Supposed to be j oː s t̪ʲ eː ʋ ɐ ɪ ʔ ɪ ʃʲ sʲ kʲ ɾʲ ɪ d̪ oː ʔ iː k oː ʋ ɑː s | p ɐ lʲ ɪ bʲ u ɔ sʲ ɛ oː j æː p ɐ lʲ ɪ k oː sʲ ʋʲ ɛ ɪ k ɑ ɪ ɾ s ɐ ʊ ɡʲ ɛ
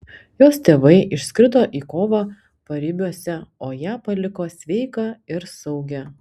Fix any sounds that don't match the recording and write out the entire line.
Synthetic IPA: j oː s t̪ʲ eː ʋ ɐ ɪ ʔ ɪ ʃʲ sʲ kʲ ɾʲ ɪ d̪ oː ʔ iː k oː ʋ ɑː | p ɐ ɾʲ ɪ bʲ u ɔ sʲ ɛ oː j æː p ɐ lʲ ɪ k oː sʲ ʋʲ ɛ ɪ k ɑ ɪ ɾ s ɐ ʊ ɡʲ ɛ